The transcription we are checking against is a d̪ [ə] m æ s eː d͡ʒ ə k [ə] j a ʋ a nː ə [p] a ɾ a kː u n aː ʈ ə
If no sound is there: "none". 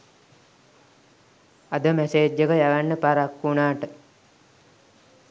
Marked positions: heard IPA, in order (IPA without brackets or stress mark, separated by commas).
ə, ə, p